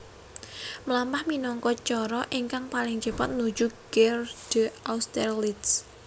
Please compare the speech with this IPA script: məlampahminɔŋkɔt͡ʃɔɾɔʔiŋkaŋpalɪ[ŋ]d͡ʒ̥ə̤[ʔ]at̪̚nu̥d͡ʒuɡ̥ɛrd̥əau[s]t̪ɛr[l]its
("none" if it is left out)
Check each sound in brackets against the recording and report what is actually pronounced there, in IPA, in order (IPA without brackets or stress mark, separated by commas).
ŋ, p, s, l